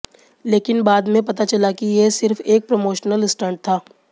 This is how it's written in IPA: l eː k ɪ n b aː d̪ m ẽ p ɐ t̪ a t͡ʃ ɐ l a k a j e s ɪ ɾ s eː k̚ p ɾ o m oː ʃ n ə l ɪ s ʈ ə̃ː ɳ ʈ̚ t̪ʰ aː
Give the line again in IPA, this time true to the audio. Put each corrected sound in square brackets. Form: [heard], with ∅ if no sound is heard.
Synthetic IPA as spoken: l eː k ɪ n b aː d̪ m ẽ p ɐ t̪ a t͡ʃ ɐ l a k [i] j e s ɪ ɾ [f] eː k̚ p ɾ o m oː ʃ n ə l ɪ s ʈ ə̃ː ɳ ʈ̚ t̪ʰ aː